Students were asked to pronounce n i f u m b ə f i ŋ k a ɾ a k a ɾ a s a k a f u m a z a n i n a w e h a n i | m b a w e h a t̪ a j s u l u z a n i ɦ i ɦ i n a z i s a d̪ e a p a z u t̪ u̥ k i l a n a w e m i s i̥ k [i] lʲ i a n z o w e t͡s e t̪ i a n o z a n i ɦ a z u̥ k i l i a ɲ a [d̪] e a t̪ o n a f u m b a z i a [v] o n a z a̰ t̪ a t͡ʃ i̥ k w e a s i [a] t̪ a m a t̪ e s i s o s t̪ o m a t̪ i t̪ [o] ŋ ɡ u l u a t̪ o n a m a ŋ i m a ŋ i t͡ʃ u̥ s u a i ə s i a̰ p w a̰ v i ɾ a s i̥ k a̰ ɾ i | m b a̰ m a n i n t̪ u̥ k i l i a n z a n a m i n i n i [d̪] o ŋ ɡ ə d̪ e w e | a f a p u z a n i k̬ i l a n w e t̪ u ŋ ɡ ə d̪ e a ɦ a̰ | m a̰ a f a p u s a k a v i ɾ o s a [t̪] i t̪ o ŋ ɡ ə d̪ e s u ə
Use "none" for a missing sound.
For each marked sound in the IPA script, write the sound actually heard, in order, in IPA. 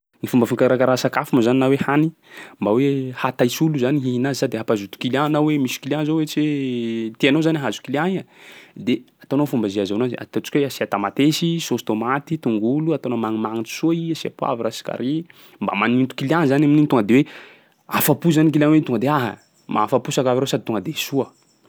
i, d̪, z, a, u, t̪, d̪

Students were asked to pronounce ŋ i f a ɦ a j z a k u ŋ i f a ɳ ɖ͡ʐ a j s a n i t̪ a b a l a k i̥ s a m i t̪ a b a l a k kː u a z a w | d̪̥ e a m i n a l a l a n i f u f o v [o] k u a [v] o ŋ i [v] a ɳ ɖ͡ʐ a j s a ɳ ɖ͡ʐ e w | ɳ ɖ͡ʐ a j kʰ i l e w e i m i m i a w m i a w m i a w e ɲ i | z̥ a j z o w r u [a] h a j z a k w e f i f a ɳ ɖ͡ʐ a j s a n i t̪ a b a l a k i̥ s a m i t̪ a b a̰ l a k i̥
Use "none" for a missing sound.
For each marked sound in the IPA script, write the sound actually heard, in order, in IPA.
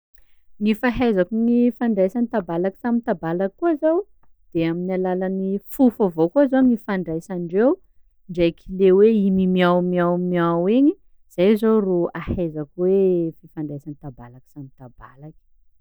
o, z, f, a

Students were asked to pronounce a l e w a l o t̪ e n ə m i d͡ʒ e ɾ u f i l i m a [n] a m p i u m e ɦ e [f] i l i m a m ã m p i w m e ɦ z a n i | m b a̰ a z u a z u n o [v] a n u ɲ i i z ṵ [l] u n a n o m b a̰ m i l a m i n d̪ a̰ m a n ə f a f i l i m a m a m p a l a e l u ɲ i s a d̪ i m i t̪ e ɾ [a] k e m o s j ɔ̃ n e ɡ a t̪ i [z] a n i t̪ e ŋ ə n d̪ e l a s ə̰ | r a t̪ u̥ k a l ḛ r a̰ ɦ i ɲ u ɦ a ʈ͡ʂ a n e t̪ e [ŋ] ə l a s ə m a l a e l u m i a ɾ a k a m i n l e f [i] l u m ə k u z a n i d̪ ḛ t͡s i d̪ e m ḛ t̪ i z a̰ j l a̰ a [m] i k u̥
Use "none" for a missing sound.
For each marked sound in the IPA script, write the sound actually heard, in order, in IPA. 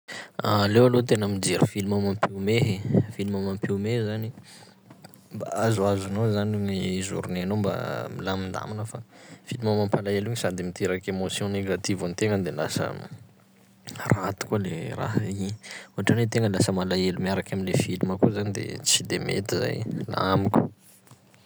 m, f, z, ɾ, a, v, ŋ, i, m

